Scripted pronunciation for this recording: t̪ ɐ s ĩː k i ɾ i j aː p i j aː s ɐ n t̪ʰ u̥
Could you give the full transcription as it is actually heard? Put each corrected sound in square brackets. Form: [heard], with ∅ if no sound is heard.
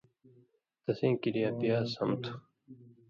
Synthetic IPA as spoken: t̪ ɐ s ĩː k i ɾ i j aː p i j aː s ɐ [m] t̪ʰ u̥